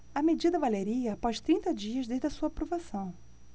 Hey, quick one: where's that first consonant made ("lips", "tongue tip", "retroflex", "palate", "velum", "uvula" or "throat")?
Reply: lips